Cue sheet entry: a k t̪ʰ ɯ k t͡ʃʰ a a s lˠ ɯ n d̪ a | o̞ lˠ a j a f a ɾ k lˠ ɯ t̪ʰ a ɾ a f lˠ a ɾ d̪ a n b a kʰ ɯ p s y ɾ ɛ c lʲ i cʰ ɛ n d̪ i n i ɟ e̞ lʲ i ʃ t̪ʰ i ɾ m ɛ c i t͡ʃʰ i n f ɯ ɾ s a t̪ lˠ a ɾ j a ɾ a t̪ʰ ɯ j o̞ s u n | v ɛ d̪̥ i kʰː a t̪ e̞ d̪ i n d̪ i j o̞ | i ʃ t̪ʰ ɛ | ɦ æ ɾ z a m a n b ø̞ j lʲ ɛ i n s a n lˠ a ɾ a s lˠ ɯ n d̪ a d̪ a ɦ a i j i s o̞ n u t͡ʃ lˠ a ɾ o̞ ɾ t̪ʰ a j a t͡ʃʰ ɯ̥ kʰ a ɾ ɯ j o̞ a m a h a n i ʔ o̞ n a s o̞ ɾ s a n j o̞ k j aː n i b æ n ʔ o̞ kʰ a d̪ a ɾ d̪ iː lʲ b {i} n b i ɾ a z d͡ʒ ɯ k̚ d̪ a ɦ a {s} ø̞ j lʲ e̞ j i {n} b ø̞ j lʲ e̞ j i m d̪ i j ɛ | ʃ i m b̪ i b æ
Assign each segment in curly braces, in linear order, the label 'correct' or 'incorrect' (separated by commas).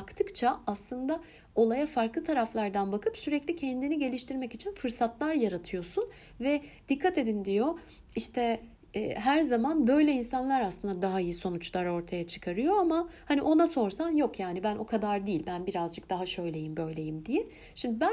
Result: incorrect, incorrect, incorrect